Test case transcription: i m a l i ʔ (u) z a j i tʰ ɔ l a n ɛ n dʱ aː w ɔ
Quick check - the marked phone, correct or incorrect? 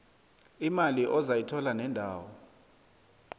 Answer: incorrect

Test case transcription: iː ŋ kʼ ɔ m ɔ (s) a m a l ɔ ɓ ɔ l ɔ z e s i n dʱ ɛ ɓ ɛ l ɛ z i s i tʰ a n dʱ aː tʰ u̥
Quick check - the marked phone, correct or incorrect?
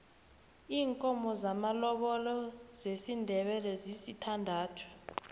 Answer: incorrect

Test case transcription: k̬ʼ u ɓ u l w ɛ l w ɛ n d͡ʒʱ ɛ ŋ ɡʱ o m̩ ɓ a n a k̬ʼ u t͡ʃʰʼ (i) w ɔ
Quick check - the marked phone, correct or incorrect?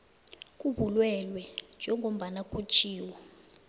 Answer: incorrect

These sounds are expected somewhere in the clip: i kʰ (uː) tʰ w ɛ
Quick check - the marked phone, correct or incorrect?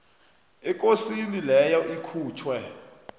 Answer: correct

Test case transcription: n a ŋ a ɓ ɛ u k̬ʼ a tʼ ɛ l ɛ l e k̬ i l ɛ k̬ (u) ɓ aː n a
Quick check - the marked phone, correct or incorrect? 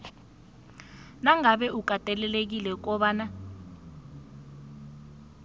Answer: incorrect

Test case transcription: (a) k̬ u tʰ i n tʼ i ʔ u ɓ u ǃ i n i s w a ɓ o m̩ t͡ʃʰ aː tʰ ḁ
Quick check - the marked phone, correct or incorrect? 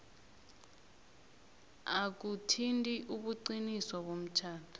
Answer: correct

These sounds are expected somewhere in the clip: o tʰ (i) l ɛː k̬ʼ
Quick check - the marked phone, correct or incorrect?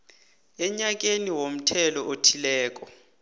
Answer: correct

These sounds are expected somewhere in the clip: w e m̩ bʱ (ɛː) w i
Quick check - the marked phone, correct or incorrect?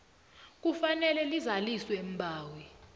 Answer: incorrect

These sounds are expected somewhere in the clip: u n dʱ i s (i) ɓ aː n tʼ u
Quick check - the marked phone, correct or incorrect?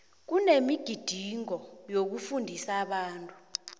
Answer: incorrect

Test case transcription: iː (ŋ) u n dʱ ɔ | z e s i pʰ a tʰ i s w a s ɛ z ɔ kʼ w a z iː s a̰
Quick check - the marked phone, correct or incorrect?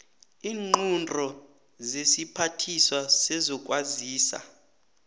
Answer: incorrect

